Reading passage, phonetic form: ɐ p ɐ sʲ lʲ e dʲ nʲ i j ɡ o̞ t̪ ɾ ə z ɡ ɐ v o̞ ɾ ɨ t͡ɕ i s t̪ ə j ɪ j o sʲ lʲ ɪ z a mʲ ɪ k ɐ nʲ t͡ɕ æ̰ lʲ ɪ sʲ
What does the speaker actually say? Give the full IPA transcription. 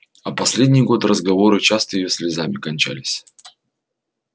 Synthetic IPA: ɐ p ɐ sʲ lʲ e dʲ nʲ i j ɡ o̞ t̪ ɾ ə z ɡ ɐ v o̞ ɾ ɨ t͡ɕ a s t̪ ə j ɪ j o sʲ lʲ ɪ z a mʲ ɪ k ɐ nʲ t͡ɕ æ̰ lʲ ɪ sʲ